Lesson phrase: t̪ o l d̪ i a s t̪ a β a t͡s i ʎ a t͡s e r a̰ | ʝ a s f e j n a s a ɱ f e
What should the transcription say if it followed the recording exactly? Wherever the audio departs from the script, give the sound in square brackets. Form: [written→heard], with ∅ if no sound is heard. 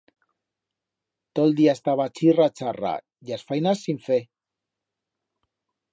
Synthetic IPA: t̪ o l d̪ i a s t̪ a β a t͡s i [ʎ→r] a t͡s [e→a] r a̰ | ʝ a s f [e→a] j n a s [a→i] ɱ f e